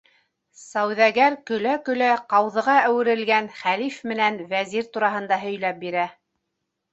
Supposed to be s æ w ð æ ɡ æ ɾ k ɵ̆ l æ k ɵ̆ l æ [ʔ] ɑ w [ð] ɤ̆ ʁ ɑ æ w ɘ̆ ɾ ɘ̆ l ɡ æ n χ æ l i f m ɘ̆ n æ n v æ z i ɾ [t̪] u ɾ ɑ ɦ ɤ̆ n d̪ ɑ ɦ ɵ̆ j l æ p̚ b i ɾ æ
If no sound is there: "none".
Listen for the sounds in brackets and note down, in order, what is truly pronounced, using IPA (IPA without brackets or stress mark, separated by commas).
q, ð, t̪